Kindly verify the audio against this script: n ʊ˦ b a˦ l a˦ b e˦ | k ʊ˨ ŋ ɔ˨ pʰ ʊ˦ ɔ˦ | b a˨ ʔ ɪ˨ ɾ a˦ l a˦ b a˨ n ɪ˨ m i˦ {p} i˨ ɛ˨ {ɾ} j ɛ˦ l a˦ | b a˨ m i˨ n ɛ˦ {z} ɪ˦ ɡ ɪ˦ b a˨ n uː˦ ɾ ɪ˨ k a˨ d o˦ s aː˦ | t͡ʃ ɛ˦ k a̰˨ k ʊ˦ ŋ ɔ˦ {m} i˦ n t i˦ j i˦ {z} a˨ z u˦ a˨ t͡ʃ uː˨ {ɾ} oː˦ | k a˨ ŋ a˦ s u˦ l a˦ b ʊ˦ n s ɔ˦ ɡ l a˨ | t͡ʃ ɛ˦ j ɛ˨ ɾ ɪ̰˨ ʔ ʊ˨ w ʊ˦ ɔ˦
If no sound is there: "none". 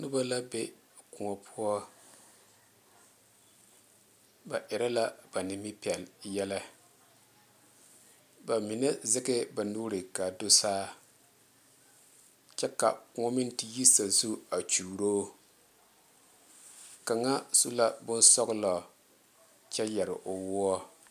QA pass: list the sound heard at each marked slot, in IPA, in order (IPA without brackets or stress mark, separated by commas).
p, l, z, m, s, ɾ